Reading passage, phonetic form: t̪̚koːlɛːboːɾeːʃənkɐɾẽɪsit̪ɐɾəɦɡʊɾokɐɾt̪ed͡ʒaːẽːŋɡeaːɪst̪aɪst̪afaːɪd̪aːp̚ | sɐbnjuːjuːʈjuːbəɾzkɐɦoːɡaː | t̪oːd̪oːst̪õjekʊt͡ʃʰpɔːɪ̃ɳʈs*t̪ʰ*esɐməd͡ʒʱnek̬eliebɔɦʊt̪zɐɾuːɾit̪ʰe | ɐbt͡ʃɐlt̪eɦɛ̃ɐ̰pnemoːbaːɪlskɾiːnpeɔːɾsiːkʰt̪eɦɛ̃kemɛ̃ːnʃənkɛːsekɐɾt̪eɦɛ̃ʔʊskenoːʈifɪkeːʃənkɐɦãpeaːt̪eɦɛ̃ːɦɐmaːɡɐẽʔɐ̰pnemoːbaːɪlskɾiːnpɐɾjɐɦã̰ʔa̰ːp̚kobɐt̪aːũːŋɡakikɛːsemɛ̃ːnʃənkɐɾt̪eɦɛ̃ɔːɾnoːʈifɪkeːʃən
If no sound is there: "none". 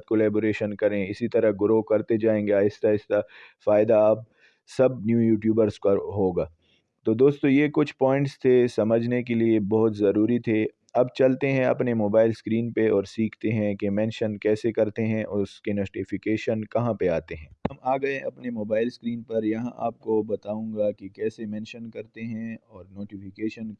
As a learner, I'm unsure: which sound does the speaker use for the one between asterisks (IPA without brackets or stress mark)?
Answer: t̪ʰ